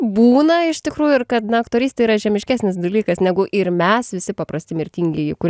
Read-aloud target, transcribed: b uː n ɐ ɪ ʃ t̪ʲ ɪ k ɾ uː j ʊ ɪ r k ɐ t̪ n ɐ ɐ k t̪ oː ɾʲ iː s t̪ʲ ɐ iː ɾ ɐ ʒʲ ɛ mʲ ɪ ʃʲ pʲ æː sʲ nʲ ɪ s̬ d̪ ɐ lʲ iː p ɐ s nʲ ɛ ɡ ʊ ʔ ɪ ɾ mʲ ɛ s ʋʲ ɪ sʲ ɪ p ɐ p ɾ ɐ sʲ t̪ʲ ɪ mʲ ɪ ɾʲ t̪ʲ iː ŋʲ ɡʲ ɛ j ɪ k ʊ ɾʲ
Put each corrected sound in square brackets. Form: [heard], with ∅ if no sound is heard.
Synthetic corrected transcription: b uː n ɐ ɪ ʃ t̪ʲ ɪ k ɾ uː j ʊ ɪ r k ɐ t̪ n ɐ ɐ k t̪ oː ɾʲ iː s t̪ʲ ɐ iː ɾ ɐ ʒʲ ɛ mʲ ɪ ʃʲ [kʲ] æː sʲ nʲ ɪ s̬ d̪ ɐ lʲ iː [k] ɐ s nʲ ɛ ɡ ʊ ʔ ɪ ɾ mʲ ɛ s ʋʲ ɪ sʲ ɪ p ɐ p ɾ ɐ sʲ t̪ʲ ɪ mʲ ɪ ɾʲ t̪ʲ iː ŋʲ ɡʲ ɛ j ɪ k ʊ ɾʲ

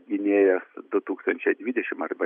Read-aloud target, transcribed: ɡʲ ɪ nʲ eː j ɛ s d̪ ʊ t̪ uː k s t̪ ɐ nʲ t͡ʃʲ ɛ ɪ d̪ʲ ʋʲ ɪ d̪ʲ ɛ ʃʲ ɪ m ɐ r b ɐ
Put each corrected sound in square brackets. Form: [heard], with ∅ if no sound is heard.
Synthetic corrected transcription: ɡʲ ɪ nʲ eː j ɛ s d̪ ʊ t̪ uː k s t̪ ɐ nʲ t͡ʃʲ ɛ ɪ d̪ʲ ʋʲ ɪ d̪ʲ ɛ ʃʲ ɪ m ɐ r b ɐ

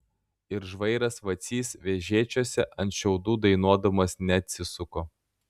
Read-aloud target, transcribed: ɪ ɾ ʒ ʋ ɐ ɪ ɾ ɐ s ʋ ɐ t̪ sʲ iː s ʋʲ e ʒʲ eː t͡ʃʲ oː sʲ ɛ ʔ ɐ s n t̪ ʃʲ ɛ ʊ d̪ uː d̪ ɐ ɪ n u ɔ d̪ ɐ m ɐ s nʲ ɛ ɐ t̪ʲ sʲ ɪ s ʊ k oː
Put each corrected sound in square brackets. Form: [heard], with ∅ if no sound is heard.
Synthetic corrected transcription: ɪ ɾ ʒ ʋ ɐ ɪ ɾ ɐ s ʋ ɐ t̪ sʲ iː s ʋʲ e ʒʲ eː t͡ʃʲ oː sʲ ɛ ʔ ɐ [∅] n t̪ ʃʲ ɛ ʊ d̪ uː d̪ ɐ ɪ n u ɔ d̪ ɐ m ɐ s nʲ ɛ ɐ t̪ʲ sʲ ɪ s ʊ k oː

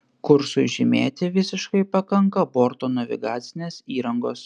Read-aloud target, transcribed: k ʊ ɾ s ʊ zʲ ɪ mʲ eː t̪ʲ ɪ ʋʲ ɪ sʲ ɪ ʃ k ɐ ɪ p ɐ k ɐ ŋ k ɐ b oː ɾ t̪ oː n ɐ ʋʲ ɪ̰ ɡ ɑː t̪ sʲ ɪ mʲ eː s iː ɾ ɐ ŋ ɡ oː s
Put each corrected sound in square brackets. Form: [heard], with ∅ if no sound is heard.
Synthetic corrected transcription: k ʊ ɾ s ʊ [ʒʲ] ɪ mʲ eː t̪ʲ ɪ ʋʲ ɪ sʲ ɪ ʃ k ɐ ɪ p ɐ k ɐ ŋ k ɐ b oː ɾ t̪ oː n ɐ ʋʲ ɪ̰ ɡ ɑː t̪ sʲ ɪ [nʲ] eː s iː ɾ ɐ ŋ ɡ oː s

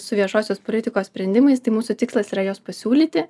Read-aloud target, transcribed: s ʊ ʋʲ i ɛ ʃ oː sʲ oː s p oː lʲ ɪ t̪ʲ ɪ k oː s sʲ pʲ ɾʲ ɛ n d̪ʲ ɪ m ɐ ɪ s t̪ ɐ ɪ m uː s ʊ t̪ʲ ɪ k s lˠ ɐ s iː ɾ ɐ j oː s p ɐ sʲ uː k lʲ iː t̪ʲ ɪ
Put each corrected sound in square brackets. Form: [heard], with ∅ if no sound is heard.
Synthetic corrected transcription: s ʊ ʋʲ i ɛ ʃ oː sʲ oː s p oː lʲ ɪ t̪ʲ ɪ k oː s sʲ pʲ ɾʲ ɛ n d̪ʲ ɪ m ɐ ɪ s t̪ ɐ ɪ m uː s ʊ t̪ʲ ɪ k s lˠ ɐ s iː ɾ ɐ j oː s p ɐ sʲ uː [∅] lʲ iː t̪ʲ ɪ

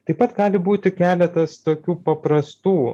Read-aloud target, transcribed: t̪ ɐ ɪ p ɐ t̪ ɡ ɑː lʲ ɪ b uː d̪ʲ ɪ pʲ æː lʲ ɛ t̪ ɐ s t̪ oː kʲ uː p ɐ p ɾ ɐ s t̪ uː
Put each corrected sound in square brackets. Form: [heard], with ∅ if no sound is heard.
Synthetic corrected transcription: t̪ ɐ ɪ p ɐ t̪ ɡ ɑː lʲ ɪ b uː [t̪ʲ] ɪ [kʲ] æː lʲ ɛ t̪ ɐ s t̪ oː kʲ uː p ɐ p ɾ ɐ s t̪ uː

